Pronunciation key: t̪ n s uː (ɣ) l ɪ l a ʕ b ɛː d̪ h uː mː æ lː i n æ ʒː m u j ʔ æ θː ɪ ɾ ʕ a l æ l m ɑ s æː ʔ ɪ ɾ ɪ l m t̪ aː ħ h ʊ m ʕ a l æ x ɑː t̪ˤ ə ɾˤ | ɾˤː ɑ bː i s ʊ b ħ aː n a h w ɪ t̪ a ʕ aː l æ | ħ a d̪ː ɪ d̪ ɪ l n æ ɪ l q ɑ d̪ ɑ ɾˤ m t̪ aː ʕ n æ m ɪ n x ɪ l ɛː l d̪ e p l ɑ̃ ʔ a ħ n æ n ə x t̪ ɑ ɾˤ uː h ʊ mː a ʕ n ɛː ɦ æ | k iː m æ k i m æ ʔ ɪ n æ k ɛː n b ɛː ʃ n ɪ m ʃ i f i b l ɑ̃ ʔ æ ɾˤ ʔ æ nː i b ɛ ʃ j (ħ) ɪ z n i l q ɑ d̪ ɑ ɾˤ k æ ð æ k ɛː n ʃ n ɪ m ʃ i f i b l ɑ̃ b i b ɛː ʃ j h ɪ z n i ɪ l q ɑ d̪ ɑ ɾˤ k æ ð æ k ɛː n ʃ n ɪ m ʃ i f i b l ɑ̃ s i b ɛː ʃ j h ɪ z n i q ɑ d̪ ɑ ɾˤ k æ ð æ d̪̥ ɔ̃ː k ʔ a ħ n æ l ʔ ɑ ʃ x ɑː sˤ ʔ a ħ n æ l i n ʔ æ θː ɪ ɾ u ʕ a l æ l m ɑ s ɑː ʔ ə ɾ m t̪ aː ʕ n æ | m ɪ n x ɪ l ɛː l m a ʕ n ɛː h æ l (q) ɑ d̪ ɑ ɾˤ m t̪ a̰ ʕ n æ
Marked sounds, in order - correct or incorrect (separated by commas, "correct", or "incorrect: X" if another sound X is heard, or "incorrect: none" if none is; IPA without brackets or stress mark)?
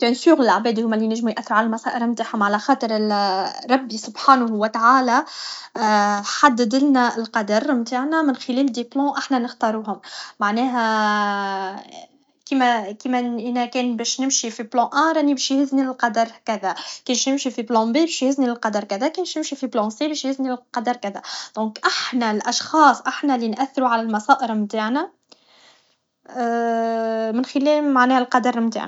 correct, incorrect: h, correct